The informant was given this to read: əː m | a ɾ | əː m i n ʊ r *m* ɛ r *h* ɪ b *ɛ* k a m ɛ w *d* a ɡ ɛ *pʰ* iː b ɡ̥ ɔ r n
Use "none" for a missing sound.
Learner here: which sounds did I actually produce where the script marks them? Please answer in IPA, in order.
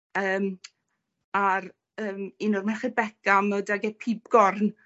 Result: m, χ, ɛ, d, pʰ

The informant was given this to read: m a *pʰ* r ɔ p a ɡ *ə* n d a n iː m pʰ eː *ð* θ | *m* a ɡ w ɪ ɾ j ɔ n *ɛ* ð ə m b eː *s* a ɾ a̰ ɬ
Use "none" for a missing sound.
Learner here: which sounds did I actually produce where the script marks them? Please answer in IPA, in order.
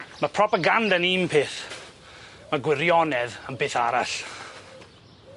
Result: pʰ, a, none, m, ɛ, θ

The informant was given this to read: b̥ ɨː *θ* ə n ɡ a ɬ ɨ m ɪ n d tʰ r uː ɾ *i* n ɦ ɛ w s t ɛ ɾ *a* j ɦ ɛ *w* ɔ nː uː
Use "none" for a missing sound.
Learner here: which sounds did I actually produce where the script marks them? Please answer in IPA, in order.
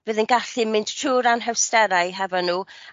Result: ð, a, a, v

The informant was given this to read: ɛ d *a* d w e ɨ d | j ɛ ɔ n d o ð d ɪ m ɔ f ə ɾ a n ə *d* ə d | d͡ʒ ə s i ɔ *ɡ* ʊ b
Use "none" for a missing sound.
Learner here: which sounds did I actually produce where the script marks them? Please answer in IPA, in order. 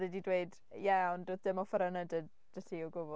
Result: i, d, ɡ

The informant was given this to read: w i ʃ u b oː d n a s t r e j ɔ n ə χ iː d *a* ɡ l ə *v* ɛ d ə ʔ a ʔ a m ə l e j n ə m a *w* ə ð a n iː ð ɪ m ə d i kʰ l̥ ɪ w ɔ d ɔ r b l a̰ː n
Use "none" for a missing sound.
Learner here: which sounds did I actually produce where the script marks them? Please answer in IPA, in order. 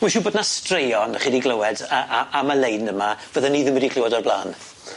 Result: i, w, v

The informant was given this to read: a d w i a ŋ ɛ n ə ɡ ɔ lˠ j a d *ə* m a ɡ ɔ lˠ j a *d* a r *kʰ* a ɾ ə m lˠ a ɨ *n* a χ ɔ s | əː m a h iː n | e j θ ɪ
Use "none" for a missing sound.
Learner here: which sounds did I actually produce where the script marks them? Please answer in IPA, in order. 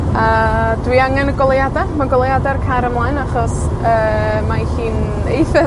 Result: a, d, kʰ, n

